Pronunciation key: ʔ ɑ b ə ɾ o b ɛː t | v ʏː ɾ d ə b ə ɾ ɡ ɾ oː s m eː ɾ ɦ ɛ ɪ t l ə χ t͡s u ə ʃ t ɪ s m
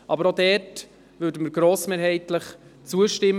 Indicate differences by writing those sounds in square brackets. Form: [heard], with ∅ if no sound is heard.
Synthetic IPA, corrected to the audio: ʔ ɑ b ə ɾ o [d] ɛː t | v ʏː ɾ d ə [m] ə ɾ ɡ ɾ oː s m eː ɾ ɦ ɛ ɪ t l ə χ t͡s u ə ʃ t ɪ [∅] m

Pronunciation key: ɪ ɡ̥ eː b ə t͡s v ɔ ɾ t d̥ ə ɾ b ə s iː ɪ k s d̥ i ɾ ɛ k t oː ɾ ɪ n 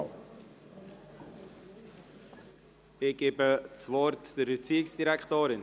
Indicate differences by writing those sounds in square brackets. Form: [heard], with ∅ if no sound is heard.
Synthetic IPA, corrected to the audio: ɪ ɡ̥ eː b ə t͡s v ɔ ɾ t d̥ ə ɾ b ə [t͡s] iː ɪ k s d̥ i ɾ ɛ k t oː ɾ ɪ n

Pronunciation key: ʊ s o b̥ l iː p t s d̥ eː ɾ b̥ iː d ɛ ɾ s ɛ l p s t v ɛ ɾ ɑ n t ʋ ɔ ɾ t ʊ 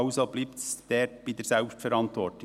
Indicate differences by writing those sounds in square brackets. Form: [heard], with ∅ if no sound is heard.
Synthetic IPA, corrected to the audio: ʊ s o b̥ l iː p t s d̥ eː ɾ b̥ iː d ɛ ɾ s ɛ l p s t [f] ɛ ɾ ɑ n t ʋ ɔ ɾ t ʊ

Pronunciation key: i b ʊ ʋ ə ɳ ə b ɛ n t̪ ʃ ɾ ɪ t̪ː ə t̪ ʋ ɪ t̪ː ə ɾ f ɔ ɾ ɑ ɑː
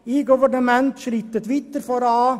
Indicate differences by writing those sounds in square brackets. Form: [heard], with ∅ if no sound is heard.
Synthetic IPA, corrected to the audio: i [ɡ] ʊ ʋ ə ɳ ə [m] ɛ n t̪ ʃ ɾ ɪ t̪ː ə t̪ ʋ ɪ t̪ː ə ɾ f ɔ ɾ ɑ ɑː

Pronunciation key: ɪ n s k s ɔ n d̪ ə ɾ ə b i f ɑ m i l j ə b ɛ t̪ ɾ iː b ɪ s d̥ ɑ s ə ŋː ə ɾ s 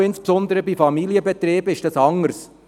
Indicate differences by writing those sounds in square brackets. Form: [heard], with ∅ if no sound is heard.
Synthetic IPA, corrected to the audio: ɪ n s [p] s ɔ n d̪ ə ɾ ə b i f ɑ m i l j ə b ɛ t̪ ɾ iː b ɪ [ʃ] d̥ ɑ s [ɑ] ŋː ə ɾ s

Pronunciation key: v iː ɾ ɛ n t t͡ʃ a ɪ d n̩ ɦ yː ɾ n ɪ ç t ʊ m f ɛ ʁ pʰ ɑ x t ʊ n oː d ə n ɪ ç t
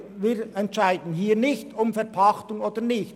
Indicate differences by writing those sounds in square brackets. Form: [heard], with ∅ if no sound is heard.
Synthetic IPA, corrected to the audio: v iː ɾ ɛ n t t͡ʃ a ɪ d n̩ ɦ [iː] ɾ n ɪ ç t ʊ m f ɛ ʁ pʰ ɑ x t ʊ [ŋ] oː d ə n ɪ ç t

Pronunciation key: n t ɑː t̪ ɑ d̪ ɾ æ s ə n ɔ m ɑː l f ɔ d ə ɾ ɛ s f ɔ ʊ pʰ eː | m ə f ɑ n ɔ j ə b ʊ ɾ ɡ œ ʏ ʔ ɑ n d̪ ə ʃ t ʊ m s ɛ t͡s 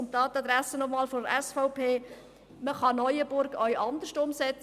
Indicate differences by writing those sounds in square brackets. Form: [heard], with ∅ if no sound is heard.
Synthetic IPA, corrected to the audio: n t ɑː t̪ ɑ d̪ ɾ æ s ə n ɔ m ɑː l f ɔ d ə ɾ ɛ s f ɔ ʊ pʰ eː | m ə [χ] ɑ n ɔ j ə b ʊ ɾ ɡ œ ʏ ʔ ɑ n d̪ ə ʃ t ʊ m s ɛ t͡s

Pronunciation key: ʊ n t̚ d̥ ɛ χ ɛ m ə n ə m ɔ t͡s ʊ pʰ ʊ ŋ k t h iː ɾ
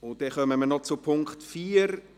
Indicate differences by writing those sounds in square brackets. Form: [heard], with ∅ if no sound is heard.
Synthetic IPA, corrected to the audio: ʊ n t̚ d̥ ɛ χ [œ] m ə [m] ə [n] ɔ t͡s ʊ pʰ ʊ ŋ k t [f] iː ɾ

